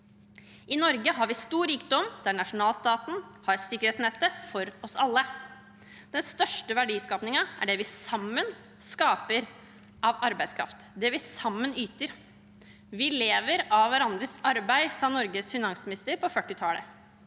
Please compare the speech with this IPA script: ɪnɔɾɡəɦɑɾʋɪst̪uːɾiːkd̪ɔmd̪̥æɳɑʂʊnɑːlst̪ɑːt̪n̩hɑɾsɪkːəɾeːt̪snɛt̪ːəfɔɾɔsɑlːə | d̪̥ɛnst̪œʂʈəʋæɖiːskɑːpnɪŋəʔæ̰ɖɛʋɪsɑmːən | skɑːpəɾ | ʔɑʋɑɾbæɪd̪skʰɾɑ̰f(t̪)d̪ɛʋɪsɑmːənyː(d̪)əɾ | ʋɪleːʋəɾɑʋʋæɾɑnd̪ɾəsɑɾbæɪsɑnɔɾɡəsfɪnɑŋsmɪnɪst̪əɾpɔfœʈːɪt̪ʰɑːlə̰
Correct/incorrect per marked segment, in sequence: correct, incorrect

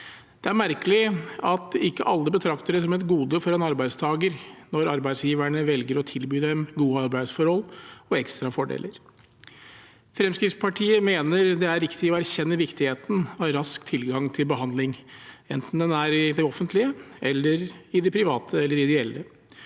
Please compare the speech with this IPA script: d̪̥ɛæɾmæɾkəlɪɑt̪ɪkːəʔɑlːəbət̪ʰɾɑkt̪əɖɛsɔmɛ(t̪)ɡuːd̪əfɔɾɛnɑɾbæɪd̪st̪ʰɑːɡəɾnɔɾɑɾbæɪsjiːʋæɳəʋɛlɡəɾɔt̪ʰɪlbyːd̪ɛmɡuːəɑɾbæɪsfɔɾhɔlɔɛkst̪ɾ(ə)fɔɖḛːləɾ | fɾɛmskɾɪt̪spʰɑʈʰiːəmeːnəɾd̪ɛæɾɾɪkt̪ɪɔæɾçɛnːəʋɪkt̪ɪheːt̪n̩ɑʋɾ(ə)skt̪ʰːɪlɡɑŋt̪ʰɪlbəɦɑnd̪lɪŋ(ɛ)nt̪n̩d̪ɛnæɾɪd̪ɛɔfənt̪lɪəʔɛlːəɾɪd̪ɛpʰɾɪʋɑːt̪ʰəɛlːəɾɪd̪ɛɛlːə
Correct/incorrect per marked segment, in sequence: correct, incorrect, incorrect, correct

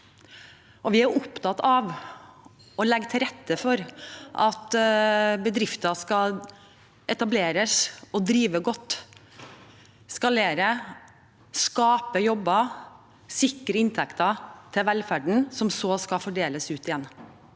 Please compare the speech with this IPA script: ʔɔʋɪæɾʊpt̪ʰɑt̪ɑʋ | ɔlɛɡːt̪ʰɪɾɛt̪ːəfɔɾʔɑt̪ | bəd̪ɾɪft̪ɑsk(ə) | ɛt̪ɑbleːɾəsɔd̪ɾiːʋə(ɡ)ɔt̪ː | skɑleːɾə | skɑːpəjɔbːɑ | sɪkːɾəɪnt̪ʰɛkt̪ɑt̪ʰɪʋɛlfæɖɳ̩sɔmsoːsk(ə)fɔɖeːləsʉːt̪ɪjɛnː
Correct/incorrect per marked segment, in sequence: incorrect, correct, incorrect

